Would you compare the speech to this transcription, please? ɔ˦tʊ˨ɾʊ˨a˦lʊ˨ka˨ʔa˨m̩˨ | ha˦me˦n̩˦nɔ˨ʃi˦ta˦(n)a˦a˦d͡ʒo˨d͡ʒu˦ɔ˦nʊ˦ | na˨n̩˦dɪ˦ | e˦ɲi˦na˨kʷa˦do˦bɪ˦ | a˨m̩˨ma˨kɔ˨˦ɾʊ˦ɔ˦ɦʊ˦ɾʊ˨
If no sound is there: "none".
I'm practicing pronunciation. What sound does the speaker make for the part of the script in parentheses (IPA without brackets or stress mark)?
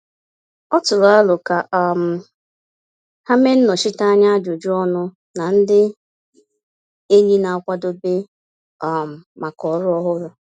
ɲ